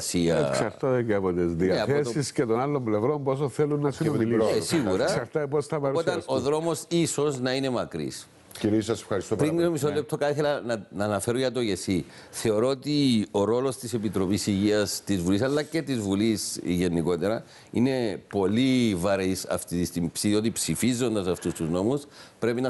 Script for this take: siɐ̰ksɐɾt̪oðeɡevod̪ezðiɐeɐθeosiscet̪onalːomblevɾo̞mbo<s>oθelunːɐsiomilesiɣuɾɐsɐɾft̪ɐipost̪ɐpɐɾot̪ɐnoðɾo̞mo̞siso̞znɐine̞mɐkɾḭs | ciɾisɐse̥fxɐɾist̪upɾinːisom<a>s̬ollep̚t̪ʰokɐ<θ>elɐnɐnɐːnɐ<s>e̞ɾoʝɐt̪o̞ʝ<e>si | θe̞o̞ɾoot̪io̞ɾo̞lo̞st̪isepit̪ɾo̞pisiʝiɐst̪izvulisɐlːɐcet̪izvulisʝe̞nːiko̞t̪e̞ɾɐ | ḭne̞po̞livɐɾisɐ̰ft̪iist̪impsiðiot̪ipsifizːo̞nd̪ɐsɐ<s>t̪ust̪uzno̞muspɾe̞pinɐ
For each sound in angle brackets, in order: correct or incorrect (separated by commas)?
correct, incorrect, correct, incorrect, correct, incorrect